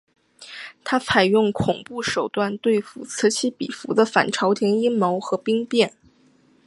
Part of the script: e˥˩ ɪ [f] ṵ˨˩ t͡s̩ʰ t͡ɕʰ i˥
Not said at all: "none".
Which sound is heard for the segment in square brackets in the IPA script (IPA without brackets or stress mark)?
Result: f